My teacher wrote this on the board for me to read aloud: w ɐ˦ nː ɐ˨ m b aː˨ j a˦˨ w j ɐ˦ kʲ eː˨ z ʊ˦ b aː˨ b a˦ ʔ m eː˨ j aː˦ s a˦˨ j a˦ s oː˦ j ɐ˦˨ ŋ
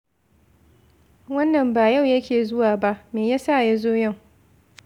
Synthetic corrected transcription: w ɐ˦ nː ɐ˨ m b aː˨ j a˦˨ w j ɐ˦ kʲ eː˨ z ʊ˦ w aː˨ b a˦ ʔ m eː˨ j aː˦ s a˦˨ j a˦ z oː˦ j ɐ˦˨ ŋ